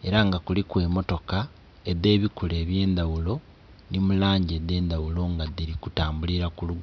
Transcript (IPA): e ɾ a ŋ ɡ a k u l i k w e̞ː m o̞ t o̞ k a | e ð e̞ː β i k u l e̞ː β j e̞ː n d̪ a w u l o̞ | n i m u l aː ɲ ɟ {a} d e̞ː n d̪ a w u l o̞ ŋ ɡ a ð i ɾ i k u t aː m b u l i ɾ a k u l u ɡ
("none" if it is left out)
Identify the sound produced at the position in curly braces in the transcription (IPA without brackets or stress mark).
e